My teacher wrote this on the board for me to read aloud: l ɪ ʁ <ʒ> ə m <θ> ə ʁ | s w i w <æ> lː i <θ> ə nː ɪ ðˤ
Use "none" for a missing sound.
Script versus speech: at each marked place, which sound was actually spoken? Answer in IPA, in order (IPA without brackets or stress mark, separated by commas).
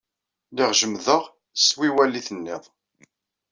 ʒ, ð, æ, θ